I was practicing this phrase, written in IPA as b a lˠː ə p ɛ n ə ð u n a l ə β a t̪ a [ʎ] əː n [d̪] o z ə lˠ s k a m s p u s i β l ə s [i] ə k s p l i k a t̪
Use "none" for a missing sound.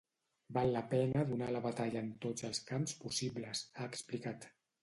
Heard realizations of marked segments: ʎ, t̪, a

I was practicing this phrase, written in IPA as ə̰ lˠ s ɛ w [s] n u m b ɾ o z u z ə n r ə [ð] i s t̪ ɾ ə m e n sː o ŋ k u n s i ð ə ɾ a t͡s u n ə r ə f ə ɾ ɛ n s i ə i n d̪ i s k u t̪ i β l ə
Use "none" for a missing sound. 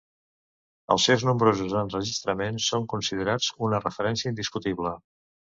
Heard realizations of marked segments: z, ʒ

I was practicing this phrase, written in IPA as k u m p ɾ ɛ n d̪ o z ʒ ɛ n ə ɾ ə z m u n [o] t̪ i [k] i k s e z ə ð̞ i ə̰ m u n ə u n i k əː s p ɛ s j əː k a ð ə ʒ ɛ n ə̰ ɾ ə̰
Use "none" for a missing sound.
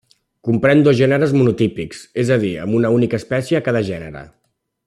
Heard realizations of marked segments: u, p

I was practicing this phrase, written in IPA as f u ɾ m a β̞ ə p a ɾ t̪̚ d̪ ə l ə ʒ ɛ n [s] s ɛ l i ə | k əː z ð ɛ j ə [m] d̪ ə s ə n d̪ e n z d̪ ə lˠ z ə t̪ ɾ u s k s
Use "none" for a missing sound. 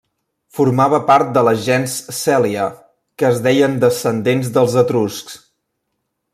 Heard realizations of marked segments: s, n

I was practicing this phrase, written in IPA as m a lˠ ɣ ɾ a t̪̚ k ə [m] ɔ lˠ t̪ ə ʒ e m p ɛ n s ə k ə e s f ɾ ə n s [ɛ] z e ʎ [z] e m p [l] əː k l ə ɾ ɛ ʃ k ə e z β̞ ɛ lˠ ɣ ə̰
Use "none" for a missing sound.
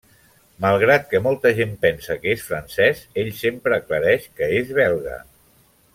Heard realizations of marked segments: m, ɛ, s, ɾ

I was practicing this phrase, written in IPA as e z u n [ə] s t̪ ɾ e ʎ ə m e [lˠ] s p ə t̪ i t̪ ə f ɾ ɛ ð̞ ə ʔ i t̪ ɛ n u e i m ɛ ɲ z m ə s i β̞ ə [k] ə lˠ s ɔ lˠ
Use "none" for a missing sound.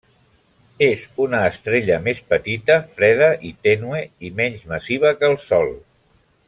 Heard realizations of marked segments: əː, none, k

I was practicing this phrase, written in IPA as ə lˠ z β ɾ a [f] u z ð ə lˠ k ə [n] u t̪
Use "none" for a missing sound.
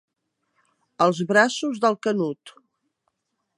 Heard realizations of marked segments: s, n

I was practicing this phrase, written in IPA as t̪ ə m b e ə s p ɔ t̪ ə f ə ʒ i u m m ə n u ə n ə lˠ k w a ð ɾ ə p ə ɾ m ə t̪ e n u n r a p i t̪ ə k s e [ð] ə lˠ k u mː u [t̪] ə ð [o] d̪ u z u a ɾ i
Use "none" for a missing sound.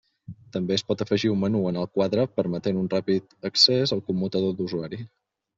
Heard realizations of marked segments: z, t̪, o

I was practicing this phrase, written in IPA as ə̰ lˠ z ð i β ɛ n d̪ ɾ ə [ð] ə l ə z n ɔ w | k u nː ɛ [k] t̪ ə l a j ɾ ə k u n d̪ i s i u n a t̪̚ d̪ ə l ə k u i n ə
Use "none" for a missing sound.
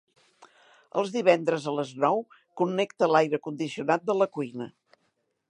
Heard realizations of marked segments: z, k

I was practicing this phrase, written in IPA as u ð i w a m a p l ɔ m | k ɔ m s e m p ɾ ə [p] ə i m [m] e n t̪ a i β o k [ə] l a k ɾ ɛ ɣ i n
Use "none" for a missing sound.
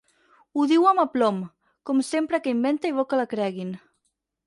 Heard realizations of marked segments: k, b, ə

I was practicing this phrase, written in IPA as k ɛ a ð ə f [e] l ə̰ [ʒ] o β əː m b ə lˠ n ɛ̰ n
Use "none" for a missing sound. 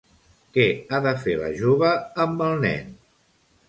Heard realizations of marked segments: e, ʒ

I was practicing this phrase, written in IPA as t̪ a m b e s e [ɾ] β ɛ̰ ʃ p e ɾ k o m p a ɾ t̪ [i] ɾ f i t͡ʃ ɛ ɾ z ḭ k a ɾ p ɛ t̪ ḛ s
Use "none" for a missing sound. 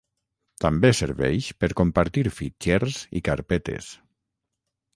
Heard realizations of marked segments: ɾ, i

